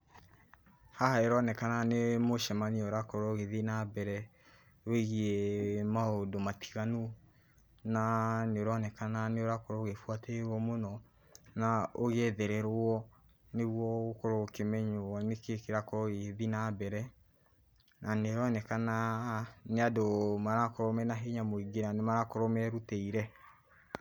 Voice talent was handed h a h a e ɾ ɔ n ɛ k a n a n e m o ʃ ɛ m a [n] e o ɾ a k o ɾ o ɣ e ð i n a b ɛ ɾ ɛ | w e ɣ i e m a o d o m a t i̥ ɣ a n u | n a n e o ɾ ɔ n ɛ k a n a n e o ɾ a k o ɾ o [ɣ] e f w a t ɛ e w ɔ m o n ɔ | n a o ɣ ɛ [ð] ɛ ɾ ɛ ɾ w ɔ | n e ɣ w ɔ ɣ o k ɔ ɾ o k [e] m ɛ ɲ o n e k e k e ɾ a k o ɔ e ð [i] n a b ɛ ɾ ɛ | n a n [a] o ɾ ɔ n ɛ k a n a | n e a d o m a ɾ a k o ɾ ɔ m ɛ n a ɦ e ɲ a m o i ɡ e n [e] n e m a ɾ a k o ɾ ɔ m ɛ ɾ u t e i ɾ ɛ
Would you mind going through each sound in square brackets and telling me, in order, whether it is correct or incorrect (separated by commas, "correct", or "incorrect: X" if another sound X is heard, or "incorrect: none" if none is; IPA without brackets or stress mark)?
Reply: correct, correct, correct, correct, correct, incorrect: e, incorrect: a